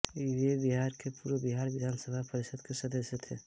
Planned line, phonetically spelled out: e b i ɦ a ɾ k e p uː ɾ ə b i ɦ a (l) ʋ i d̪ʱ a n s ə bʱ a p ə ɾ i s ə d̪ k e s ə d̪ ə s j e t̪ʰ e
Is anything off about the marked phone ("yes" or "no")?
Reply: yes